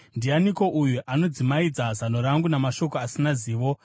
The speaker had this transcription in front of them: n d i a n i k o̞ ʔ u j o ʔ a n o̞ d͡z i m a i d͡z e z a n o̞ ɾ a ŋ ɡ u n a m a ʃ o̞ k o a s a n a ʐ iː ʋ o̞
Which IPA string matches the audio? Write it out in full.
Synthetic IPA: n d i a n i k o̞ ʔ u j u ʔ a n o̞ d͡z i m a i d͡z a z a n o̞ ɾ a ŋ ɡ u n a m a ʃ o̞ k o a s i n a z iː ʋ o̞